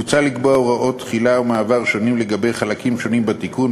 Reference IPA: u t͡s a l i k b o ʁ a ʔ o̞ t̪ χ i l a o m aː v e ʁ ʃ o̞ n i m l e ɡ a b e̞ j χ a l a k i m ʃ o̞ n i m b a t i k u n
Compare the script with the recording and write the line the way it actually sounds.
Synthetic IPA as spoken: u t͡s a l i k b o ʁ a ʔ o̞ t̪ χ i l a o m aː v a ʁ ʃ o̞ n i m l e ɡ a b e̞ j χ a l a k i m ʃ o̞ n i m b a t i k u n